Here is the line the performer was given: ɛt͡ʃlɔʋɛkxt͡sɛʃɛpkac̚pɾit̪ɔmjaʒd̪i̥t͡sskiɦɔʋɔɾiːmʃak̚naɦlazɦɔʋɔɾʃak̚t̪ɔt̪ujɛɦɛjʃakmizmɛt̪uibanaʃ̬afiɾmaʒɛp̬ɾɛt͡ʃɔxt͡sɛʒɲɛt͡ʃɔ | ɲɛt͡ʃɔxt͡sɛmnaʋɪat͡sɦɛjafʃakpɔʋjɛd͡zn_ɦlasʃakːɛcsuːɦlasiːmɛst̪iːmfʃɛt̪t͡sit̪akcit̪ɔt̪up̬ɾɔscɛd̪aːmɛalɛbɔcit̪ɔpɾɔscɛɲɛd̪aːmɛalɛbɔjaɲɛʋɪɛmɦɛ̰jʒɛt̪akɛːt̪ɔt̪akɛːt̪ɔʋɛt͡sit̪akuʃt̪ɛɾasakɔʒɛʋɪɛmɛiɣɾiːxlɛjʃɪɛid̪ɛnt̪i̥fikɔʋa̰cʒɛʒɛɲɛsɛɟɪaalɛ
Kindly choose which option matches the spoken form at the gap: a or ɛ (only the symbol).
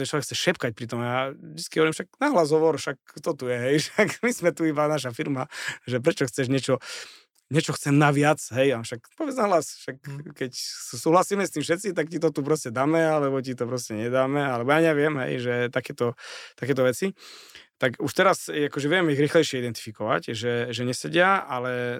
a